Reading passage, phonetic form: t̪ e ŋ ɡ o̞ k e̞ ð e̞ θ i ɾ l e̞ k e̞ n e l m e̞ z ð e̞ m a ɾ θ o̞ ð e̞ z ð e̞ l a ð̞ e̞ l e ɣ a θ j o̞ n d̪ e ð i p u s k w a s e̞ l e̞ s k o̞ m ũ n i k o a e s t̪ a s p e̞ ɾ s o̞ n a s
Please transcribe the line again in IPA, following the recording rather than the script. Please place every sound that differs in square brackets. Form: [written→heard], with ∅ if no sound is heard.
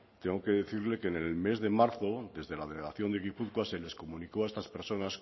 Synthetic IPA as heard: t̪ e ŋ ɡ o̞ k e̞ ð e̞ θ i ɾ l e̞ k e̞ n e l m e̞ z ð e̞ m a ɾ θ o̞ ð e̞ z ð e̞ l a ð̞ e̞ l e ɣ a θ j o̞ n d̪ e [ð→ɣ] i p u [s→θ] k w a s e̞ l e̞ s k o̞ m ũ n i k o a e s t̪ a s p e̞ ɾ s o̞ n a s